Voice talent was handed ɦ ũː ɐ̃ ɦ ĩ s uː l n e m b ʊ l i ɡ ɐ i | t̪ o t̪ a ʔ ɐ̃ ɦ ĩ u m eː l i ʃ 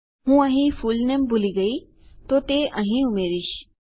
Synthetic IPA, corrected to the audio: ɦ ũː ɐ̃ ɦ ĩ f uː l n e m b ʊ l i ɡ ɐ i | t̪ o t̪ e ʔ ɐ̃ ɦ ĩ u m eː ɾ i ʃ

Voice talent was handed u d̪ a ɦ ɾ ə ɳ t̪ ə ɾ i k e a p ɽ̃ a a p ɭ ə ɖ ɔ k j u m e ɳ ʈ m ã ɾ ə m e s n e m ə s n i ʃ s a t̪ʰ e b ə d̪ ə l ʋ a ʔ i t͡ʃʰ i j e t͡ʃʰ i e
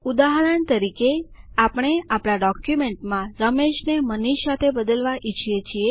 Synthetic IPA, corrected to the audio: u d̪ a ɦ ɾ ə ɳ t̪ ə ɾ i k e a p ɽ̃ e a p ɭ a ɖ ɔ k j u m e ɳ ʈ m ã ɾ ə m e ʃ n e m ə n i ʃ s a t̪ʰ e b ə d̪ ə l ʋ a ʔ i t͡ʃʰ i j e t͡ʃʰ i e

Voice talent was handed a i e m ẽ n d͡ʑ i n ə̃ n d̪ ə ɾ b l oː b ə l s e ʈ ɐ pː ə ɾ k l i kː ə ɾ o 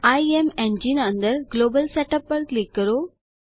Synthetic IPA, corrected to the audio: a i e m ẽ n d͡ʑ i n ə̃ n d̪ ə ɾ ɡ l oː b ə l s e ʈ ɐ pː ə ɾ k l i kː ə ɾ o

